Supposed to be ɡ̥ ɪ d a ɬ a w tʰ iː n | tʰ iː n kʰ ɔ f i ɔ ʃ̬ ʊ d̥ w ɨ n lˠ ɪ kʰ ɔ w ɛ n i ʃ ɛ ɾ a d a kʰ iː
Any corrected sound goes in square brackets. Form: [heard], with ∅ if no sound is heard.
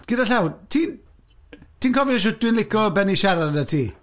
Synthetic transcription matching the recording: ɡ̥ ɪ d a ɬ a w tʰ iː n | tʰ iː n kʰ ɔ [v] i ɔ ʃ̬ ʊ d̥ w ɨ n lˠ ɪ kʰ ɔ [b] ɛ n i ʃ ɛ ɾ a d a [tʰ] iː